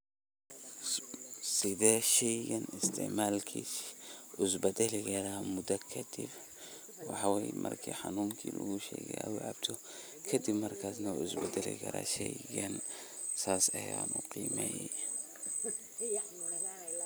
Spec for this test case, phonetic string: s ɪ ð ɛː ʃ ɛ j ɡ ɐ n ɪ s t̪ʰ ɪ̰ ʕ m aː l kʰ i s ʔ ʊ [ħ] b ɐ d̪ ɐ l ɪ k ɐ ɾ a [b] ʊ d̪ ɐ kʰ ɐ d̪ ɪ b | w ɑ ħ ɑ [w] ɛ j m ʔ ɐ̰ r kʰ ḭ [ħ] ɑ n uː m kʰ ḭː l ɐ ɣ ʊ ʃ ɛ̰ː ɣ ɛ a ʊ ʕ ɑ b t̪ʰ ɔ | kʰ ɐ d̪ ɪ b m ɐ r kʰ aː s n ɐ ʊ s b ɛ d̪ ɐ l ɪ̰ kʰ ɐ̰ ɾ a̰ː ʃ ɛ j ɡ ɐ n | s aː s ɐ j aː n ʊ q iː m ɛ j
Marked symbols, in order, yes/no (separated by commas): no, no, yes, yes